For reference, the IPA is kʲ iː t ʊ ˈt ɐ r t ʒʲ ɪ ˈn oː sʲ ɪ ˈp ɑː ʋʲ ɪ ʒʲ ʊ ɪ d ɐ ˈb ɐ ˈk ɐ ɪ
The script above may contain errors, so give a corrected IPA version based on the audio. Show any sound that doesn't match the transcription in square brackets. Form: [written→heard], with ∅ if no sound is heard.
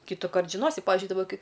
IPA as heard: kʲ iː t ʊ [ˈt→ˈk] ɐ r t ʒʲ ɪ ˈn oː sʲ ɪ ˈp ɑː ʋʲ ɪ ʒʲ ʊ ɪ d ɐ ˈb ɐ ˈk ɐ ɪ